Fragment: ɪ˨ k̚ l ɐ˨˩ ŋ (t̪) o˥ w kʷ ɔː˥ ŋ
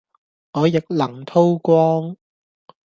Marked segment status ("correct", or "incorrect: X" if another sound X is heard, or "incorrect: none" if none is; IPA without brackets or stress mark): incorrect: t̪ʰ